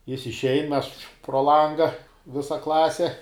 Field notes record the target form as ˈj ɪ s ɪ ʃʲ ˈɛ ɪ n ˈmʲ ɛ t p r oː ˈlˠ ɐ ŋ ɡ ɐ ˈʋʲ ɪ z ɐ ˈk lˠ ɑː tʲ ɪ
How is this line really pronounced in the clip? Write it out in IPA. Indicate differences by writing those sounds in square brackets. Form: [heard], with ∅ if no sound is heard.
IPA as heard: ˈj ɪ s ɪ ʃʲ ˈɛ ɪ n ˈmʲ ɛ [s] p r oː ˈlˠ ɐ ŋ ɡ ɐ ˈʋʲ ɪ [s] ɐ ˈk lˠ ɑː [sʲ] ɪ